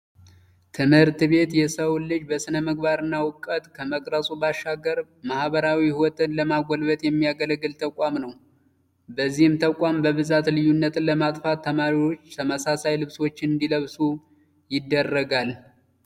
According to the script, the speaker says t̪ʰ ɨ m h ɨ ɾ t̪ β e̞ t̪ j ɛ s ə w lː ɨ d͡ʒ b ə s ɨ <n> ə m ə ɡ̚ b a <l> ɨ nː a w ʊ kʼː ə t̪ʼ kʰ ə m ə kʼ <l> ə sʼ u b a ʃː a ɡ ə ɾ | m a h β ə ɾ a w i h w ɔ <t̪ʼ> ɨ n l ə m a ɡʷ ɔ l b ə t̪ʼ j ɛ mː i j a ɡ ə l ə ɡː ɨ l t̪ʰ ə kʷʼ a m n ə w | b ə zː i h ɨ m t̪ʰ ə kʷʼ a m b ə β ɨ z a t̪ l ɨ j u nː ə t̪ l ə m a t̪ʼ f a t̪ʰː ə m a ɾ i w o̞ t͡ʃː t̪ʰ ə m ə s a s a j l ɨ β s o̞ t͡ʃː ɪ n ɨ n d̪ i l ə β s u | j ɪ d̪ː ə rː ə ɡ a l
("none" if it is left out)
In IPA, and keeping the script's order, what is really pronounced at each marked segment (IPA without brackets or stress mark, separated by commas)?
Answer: n, ɾ, ɾ, t̪ʼ